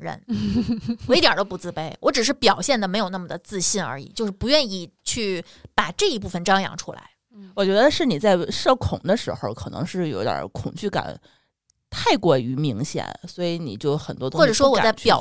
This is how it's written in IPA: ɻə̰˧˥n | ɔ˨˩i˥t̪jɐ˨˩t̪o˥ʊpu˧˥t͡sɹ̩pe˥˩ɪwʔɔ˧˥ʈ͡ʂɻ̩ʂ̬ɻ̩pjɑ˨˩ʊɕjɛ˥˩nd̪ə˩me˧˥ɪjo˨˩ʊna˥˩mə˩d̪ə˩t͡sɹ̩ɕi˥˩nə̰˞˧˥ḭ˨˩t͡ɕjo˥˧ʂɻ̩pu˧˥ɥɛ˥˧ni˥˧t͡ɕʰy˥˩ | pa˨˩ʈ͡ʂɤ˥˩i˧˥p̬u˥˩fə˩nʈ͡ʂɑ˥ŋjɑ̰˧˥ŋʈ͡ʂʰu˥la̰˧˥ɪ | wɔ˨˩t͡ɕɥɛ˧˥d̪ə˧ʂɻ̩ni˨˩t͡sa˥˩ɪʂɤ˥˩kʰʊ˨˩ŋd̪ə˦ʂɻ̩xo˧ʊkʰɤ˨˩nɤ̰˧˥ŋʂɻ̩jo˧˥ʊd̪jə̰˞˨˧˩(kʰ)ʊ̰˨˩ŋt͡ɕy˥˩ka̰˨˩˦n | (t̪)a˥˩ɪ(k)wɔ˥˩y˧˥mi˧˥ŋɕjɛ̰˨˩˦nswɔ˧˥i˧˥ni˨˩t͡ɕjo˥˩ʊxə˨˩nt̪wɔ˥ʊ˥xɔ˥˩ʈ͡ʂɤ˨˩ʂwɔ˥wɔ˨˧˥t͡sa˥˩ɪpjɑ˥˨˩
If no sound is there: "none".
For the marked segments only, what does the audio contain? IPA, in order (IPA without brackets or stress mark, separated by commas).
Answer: kʰ, t̪ʰ, k